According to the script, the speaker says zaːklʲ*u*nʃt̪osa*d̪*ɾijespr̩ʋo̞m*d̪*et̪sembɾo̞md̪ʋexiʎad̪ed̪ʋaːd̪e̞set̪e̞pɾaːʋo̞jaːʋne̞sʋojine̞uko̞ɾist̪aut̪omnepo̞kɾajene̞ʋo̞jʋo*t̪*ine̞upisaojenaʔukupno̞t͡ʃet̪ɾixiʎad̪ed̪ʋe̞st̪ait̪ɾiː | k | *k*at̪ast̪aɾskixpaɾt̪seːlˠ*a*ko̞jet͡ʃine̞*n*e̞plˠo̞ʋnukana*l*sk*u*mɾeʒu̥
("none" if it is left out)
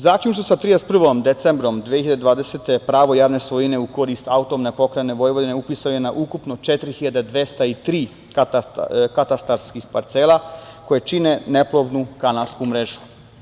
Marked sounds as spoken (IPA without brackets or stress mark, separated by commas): u, t̪, d̪, d̪, k, a, n, l, u